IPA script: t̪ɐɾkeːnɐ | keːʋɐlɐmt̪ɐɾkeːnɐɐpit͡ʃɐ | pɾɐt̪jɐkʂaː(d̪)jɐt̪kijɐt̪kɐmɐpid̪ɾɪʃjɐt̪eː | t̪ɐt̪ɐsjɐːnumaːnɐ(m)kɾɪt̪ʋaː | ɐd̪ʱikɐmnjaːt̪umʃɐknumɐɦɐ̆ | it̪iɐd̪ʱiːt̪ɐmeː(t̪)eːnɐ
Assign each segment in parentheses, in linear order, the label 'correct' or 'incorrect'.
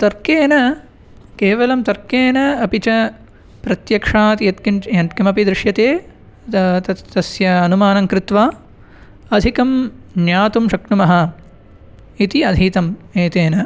incorrect: t̪, incorrect: ŋ, correct

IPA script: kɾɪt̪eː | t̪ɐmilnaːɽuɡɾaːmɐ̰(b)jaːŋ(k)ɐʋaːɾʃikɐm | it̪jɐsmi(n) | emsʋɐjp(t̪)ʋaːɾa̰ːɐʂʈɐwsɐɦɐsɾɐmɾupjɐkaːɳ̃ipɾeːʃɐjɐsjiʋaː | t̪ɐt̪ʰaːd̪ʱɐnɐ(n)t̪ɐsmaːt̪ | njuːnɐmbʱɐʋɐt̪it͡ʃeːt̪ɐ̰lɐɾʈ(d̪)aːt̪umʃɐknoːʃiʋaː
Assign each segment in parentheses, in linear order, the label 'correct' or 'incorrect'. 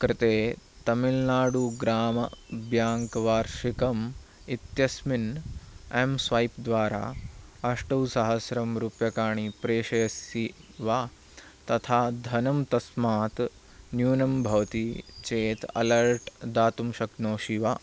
correct, correct, correct, incorrect: d̪, incorrect: m, correct

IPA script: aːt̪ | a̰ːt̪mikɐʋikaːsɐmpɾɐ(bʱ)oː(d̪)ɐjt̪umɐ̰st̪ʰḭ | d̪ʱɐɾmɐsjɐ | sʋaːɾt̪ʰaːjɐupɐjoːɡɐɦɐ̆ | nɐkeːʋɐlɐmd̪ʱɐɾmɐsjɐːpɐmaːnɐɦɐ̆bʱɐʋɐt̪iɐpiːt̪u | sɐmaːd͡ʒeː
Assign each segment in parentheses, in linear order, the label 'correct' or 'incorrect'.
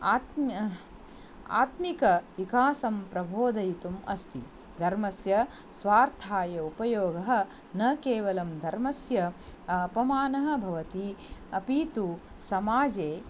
correct, correct

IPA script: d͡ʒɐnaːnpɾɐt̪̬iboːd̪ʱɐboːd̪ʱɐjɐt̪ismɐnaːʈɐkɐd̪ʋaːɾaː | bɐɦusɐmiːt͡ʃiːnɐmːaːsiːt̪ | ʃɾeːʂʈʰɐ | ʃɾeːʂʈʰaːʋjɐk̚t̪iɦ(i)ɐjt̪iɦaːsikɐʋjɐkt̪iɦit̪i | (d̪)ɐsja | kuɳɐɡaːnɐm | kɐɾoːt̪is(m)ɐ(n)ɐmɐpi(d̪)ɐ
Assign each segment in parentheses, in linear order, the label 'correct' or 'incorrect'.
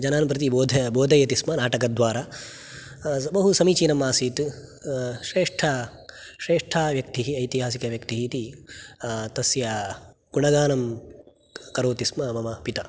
correct, incorrect: t̪, correct, incorrect: m, incorrect: t̪

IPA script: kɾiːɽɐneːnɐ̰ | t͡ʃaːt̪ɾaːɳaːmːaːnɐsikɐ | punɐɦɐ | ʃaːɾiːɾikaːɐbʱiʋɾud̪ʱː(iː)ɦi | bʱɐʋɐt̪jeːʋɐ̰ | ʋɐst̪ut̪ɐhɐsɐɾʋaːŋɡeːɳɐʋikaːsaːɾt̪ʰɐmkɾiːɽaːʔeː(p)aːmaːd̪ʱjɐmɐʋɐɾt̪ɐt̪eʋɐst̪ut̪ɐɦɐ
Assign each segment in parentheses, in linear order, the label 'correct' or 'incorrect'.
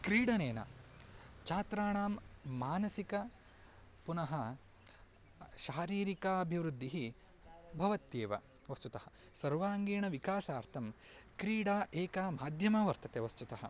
incorrect: i, incorrect: k

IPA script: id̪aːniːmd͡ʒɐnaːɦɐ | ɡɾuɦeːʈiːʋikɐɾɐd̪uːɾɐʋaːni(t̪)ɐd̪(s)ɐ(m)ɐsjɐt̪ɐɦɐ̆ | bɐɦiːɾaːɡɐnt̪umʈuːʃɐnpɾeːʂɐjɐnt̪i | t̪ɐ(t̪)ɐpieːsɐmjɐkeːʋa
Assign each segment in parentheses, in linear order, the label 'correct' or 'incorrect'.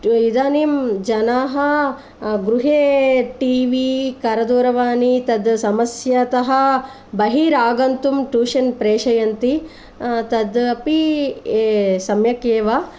correct, correct, correct, incorrect: d̪

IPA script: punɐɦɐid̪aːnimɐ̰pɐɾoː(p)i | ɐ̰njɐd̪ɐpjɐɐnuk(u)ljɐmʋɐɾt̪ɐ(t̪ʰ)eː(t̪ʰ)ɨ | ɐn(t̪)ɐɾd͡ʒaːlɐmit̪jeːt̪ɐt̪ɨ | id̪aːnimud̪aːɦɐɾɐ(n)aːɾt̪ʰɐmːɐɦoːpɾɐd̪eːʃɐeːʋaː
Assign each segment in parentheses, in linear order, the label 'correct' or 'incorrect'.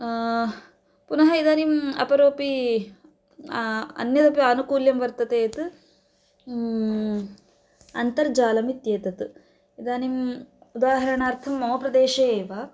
correct, incorrect: uː, incorrect: t̪, incorrect: t̪, correct, incorrect: ɳ

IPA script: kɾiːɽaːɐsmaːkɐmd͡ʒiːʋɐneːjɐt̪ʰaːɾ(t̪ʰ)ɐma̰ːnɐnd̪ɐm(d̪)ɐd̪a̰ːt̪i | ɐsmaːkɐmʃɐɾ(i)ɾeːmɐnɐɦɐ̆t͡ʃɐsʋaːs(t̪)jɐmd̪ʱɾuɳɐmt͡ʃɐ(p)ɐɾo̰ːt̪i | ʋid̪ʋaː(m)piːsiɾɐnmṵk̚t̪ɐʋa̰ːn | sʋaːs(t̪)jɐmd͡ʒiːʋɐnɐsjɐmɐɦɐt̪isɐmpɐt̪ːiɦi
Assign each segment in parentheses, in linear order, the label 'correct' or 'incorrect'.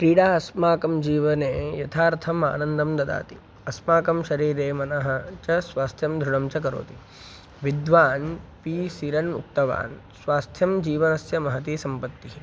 correct, correct, incorrect: iː, incorrect: t̪ʰ, incorrect: k, incorrect: n, incorrect: t̪ʰ

